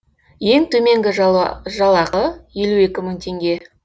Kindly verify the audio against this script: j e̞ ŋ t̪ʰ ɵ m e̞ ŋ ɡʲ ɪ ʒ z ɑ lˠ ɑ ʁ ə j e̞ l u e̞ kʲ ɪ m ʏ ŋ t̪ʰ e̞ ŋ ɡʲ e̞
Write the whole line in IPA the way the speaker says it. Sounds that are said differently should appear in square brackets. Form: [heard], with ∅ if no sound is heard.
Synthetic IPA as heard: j e̞ ŋ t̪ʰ ɵ m e̞ ŋ ɡʲ ɪ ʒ [ʒ] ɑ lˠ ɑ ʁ ə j e̞ l u e̞ kʲ ɪ m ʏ ŋ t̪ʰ e̞ ŋ ɡʲ e̞